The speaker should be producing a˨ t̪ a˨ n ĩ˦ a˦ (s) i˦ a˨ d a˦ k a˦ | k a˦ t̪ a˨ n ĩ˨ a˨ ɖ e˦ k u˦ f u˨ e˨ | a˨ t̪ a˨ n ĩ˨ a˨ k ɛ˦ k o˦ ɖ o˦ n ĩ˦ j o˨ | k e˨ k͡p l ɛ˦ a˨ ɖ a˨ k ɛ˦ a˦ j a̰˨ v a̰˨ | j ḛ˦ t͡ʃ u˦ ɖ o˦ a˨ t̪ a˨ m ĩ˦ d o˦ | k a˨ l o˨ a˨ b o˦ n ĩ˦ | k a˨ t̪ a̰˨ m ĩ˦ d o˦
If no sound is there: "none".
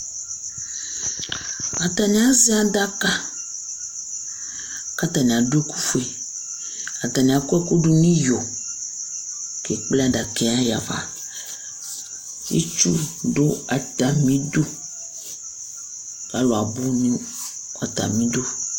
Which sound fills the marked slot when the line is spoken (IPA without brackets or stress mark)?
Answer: z